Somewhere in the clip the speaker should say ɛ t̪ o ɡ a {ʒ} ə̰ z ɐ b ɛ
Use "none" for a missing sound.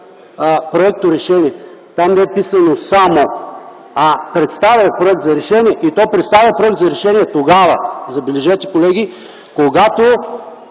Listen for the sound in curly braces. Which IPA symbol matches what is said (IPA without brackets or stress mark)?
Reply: v